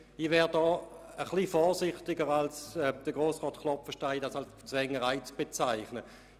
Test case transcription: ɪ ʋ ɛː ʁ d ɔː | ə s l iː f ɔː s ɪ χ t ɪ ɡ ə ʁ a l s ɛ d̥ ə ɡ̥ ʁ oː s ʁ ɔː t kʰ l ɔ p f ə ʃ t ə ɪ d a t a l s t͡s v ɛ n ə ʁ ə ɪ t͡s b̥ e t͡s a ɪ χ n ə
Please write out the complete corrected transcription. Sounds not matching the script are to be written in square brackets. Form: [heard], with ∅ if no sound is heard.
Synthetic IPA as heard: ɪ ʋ ɛː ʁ d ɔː | ə [χ] l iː f ɔː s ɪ χ t ɪ ɡ ə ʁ a l s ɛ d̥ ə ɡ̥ ʁ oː s ʁ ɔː t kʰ l ɔ p f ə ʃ t [a] ɪ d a [s] a l s t͡s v ɛ [ŋ] ə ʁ [a] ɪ t͡s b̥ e t͡s a ɪ χ n ə